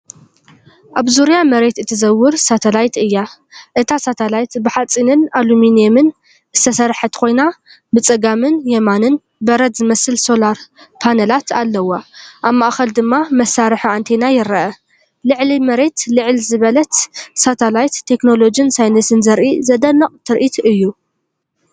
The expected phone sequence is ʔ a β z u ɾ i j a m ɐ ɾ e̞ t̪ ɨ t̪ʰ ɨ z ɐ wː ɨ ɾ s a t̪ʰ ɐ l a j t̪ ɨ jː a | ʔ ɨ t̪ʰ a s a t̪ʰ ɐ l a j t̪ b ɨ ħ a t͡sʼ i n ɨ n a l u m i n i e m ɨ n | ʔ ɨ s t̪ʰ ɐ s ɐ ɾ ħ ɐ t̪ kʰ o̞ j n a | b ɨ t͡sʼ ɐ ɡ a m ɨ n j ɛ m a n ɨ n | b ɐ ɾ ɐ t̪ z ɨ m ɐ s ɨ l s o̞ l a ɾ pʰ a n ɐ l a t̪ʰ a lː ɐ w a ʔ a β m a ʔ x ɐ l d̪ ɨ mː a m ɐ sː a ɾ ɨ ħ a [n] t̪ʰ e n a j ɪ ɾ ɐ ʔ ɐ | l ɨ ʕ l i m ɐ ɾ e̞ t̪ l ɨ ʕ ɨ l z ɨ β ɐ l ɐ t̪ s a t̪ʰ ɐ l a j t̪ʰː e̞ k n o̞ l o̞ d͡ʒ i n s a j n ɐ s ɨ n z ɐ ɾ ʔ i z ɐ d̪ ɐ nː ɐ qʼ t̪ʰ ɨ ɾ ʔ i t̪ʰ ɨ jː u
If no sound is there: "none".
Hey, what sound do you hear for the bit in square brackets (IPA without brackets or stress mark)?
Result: n